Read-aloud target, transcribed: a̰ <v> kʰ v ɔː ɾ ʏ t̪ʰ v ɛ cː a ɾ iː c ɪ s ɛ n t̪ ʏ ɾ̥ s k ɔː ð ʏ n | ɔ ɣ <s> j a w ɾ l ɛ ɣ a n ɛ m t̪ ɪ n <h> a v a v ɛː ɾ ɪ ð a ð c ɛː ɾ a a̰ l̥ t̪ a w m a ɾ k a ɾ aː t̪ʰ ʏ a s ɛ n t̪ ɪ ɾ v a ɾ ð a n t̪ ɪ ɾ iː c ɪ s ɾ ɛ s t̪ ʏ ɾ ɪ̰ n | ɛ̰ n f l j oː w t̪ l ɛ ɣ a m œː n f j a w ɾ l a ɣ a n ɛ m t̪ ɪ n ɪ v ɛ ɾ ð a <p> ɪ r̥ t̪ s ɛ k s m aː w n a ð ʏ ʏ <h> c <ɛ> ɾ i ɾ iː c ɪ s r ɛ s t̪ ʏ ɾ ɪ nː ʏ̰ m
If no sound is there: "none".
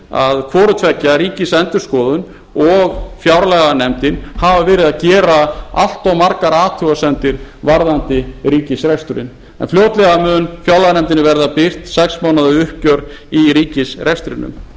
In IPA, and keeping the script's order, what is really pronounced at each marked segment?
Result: ð, f, h, p, h, œ

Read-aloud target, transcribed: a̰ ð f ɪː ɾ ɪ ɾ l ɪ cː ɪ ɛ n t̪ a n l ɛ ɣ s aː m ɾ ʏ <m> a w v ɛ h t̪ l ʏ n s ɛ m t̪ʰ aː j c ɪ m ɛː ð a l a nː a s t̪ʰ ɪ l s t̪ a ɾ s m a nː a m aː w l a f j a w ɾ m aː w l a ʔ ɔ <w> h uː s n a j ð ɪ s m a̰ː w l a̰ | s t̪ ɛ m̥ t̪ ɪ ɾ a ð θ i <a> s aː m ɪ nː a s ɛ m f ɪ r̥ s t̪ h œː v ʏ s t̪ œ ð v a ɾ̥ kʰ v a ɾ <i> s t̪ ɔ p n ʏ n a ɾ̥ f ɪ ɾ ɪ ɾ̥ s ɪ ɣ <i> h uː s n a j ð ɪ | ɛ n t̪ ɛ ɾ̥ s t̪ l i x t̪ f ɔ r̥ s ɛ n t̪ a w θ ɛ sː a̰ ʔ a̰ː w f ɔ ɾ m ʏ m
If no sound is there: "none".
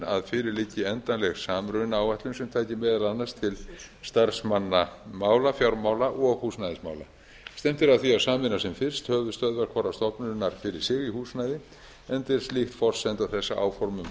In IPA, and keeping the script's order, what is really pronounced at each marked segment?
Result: n, ɣ, a, a, i

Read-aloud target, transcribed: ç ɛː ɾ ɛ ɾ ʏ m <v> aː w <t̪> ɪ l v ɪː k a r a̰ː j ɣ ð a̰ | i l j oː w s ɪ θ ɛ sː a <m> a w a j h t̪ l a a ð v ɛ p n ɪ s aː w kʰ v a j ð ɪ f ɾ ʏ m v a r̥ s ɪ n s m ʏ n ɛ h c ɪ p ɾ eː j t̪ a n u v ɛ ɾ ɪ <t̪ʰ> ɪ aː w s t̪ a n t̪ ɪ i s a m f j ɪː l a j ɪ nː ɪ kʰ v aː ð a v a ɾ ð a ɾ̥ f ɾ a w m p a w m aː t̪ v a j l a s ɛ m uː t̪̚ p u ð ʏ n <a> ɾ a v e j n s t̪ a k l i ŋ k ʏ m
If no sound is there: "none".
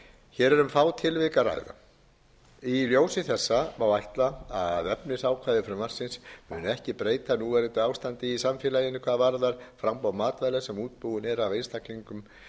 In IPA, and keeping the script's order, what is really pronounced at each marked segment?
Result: f, t̪ʰ, m, t̪, ɛ

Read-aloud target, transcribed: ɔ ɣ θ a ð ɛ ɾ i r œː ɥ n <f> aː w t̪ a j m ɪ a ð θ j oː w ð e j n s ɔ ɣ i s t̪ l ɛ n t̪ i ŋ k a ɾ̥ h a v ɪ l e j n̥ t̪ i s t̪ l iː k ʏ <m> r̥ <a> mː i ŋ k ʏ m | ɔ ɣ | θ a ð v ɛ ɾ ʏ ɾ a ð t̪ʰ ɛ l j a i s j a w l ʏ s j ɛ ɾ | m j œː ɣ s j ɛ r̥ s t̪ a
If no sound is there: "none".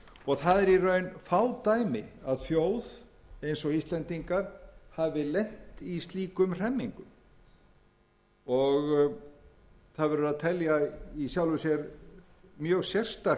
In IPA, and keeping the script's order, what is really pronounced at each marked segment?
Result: f, m, ɛ

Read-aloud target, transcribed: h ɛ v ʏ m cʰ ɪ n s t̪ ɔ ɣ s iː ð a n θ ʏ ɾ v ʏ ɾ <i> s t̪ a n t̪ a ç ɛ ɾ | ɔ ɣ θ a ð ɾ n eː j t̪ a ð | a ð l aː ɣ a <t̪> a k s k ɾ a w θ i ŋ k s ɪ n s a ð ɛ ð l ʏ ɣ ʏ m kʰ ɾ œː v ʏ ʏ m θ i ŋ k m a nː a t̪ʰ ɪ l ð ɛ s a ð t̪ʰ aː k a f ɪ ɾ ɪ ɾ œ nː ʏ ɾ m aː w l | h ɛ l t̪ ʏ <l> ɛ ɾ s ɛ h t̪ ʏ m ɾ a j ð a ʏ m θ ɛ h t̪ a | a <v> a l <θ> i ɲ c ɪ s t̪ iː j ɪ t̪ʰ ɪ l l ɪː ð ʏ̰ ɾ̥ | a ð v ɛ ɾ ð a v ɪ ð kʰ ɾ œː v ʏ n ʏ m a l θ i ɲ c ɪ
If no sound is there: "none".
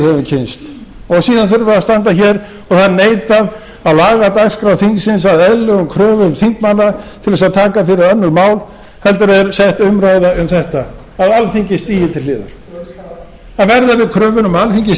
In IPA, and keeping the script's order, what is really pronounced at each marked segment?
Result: a, t̪, ɾ, ð, θ

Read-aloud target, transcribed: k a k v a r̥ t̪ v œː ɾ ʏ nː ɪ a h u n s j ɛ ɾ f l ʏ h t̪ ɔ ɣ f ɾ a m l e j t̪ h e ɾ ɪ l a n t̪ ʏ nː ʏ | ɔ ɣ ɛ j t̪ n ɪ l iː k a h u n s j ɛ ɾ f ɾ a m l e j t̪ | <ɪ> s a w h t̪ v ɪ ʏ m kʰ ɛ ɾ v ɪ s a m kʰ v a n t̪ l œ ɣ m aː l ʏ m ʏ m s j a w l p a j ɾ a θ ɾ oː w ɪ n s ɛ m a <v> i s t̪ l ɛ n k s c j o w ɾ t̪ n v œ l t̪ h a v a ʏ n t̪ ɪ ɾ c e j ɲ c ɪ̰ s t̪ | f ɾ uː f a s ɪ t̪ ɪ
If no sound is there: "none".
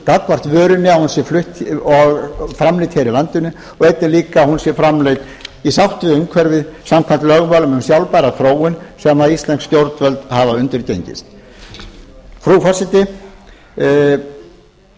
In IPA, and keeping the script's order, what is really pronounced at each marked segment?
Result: i, ð

